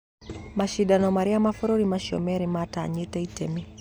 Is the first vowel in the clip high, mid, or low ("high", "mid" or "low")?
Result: low